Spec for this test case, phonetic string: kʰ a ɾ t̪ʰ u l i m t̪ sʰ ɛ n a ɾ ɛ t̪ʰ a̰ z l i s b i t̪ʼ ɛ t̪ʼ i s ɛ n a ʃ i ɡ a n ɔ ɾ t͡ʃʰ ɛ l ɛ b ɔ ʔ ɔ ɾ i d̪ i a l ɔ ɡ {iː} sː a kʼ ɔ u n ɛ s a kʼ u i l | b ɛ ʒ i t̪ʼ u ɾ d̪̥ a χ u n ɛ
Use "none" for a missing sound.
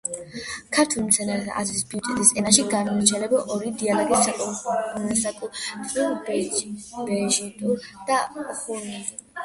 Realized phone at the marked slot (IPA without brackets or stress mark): i